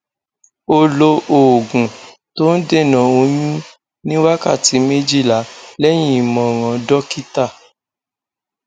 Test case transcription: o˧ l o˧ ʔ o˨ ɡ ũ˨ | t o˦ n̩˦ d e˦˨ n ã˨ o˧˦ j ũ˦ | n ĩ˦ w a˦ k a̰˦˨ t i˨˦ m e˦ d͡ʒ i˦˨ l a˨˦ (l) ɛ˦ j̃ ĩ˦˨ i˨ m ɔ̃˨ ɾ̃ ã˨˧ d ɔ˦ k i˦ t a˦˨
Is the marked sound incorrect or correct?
correct